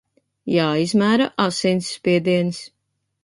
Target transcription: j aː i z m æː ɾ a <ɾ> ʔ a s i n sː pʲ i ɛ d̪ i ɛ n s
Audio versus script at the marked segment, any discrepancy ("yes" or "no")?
yes